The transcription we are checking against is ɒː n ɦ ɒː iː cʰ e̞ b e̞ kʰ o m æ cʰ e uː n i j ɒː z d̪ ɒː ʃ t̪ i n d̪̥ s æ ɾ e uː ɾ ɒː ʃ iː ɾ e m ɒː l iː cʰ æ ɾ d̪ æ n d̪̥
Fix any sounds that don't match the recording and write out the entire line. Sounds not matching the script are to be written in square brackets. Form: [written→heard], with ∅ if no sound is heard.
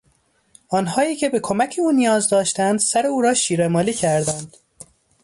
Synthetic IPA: ɒː n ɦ ɒː iː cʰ e̞ b e̞ kʰ o m æ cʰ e uː n i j ɒː z d̪ ɒː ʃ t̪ [i→æ] n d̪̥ s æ ɾ e uː ɾ ɒː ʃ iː ɾ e m ɒː l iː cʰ æ ɾ d̪ æ n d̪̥